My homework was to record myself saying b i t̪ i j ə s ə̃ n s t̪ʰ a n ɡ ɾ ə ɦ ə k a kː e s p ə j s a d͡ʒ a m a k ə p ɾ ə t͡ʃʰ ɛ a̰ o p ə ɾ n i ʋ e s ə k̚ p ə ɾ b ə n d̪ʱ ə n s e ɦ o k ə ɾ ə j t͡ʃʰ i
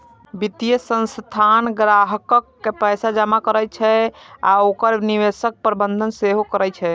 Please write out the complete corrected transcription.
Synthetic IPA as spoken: b i t̪ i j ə s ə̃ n s t̪ʰ a n ɡ ɾ a ɦ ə k ə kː e p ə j s a d͡ʒ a m a k ə ɾ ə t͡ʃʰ ɛ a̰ o k ə ɾ n i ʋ e s ə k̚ p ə ɾ b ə n d̪ʱ ə n s e ɦ o k ə ɾ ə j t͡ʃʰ ɛ